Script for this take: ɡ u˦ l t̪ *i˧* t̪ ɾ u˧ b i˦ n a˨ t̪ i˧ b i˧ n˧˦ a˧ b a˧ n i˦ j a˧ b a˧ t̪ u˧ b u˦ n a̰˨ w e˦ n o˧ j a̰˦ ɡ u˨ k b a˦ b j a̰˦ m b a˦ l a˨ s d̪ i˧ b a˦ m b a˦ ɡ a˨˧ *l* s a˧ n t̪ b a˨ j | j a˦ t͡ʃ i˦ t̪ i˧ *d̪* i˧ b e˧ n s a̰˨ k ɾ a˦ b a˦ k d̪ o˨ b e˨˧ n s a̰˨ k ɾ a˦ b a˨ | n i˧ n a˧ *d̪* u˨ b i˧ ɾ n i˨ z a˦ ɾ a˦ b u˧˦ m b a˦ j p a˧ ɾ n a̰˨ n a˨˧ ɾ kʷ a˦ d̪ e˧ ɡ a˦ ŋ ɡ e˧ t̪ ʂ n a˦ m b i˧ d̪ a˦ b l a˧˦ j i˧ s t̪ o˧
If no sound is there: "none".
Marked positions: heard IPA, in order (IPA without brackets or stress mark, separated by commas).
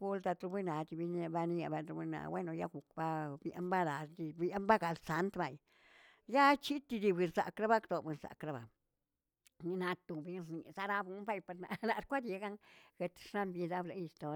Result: a˧, l, d̪, t̪